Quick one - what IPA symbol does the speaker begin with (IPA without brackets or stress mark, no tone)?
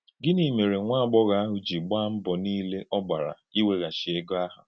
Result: ɡ